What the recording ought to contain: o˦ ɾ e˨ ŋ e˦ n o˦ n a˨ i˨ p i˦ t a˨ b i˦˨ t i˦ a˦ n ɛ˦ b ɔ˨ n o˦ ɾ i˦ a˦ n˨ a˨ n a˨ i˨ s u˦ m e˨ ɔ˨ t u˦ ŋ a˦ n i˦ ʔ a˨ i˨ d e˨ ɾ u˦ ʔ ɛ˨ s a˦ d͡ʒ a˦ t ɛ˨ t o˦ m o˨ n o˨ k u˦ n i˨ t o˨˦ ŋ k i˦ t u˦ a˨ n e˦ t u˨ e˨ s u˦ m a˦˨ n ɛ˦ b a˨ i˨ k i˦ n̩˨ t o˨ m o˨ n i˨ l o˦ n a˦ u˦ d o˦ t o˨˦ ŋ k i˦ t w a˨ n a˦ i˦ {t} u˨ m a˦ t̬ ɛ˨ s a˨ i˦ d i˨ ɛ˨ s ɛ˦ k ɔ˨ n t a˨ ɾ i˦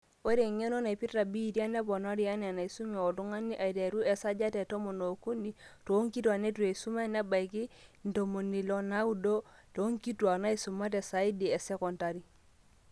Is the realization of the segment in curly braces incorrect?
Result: yes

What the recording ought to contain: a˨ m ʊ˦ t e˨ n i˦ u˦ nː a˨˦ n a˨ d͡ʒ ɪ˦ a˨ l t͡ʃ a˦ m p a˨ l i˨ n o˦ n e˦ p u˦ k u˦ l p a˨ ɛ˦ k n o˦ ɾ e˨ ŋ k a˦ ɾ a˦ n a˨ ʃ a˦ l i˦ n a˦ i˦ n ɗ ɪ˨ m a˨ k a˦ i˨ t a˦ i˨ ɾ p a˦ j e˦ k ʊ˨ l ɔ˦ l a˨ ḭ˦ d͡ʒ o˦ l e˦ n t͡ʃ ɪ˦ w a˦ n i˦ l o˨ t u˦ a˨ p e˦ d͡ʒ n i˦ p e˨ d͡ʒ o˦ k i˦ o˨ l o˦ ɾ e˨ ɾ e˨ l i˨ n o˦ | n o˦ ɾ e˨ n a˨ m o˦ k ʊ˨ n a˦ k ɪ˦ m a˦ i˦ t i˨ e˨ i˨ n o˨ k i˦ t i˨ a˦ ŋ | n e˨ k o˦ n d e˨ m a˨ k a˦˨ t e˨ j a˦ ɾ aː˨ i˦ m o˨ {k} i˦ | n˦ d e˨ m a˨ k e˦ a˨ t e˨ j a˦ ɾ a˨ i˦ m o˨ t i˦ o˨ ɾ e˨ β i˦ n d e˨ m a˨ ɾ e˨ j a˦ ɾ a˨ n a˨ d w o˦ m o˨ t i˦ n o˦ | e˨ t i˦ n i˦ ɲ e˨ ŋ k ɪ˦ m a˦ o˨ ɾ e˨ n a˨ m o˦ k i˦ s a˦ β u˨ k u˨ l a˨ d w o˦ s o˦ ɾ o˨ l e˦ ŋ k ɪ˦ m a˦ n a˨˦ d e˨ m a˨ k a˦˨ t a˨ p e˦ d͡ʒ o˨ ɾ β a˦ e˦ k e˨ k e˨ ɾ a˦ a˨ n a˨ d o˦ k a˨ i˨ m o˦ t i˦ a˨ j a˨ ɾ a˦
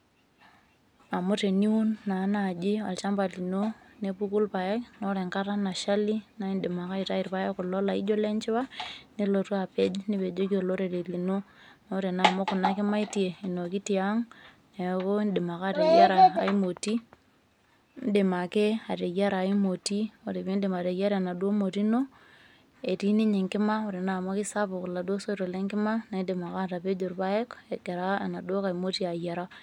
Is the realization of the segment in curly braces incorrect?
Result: yes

